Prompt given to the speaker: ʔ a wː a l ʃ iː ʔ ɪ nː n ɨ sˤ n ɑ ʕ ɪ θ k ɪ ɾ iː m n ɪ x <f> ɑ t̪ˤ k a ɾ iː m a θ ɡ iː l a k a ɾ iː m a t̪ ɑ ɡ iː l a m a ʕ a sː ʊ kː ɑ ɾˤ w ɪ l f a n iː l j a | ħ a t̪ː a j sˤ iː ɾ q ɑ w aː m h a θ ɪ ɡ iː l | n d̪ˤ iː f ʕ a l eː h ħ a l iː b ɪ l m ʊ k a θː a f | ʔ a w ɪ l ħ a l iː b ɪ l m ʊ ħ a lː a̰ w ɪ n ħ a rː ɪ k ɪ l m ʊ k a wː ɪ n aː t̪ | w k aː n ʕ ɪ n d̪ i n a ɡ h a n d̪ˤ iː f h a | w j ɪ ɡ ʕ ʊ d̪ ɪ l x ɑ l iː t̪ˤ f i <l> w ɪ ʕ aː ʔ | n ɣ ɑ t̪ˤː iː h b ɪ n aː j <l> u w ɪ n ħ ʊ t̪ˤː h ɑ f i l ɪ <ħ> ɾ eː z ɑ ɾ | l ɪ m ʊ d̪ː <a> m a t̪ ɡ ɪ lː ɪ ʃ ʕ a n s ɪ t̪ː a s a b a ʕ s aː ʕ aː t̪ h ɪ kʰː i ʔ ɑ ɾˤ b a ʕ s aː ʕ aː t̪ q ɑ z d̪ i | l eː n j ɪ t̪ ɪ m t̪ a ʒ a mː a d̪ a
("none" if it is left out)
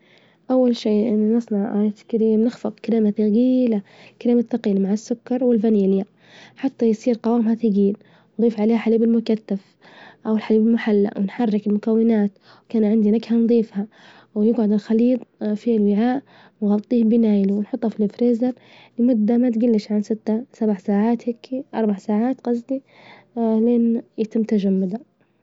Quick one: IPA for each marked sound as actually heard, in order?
f, l, l, f, a

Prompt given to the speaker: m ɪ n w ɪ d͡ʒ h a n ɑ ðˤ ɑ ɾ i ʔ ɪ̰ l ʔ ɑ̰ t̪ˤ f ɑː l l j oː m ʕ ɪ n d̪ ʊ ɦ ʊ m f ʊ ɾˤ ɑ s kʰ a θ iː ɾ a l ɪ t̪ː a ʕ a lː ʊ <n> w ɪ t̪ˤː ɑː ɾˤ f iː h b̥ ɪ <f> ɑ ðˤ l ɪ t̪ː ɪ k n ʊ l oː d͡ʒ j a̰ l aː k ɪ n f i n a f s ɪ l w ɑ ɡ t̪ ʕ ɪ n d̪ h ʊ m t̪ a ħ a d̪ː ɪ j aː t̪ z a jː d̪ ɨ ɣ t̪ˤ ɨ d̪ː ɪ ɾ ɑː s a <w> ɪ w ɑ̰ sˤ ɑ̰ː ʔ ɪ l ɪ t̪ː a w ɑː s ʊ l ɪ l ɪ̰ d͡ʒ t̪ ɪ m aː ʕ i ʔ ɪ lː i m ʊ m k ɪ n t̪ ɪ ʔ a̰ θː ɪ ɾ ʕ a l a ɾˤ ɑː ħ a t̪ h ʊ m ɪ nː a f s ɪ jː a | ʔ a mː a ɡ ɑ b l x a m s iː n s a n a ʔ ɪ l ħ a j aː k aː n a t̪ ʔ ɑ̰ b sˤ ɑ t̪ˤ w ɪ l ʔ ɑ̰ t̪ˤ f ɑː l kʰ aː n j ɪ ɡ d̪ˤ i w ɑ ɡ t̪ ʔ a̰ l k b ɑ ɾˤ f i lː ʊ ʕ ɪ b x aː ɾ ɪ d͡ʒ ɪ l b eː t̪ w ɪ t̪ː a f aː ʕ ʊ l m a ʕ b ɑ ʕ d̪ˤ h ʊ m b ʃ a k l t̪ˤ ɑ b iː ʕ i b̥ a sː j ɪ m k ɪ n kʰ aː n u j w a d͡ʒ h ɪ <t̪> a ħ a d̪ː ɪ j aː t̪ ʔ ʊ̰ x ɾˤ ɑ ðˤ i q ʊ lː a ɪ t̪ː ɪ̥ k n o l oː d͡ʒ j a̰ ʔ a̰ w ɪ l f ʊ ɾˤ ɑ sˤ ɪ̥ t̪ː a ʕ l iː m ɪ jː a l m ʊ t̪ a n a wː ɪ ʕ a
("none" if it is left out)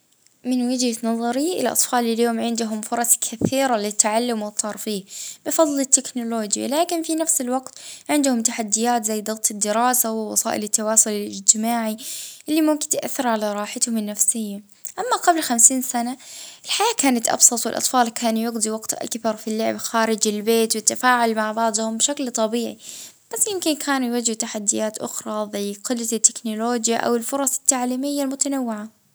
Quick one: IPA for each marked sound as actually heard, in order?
m, f, w, t̪

